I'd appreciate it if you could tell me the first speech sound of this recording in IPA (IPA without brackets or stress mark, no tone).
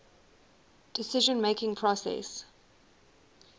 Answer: d̥